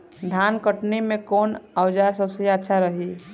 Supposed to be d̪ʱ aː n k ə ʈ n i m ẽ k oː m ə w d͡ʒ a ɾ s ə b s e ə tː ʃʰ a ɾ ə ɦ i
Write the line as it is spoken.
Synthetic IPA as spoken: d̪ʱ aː n k ə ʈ n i m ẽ k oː n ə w d͡ʒ a ɾ s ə b s e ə tː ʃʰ a ɾ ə ɦ i